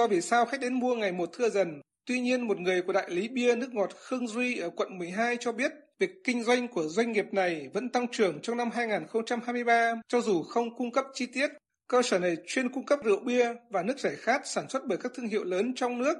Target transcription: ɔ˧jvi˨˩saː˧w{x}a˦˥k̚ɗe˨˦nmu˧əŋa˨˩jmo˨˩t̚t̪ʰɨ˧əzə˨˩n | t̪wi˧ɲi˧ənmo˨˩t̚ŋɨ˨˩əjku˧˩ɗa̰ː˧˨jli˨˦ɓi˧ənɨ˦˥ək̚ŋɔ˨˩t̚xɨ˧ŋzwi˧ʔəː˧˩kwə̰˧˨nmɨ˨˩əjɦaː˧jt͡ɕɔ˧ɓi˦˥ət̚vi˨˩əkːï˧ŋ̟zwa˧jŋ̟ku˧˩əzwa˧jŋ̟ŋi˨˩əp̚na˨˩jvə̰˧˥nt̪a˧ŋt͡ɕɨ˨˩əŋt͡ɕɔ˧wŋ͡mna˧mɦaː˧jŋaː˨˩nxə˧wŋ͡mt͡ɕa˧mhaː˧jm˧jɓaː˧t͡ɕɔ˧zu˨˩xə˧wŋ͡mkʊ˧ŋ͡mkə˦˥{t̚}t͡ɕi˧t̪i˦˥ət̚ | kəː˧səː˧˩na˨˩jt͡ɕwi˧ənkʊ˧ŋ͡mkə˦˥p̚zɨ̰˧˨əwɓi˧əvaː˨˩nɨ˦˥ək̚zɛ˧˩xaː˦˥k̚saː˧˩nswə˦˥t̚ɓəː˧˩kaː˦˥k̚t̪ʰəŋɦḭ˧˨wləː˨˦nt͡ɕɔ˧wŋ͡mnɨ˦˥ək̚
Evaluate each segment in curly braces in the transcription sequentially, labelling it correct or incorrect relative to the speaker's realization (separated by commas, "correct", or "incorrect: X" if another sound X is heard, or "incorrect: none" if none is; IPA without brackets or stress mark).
correct, incorrect: p̚